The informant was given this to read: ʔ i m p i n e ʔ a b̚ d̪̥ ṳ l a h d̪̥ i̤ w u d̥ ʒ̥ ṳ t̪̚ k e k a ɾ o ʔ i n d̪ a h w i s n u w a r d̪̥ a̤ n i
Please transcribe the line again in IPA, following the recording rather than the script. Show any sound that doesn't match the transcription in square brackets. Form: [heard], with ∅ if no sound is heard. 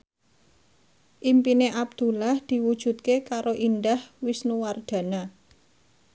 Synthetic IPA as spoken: ʔ i m p i n e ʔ a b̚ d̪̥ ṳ l a h d̪̥ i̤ w u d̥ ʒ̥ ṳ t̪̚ k e k a ɾ o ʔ i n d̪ a h w i s n u w a r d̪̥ a̤ n [a]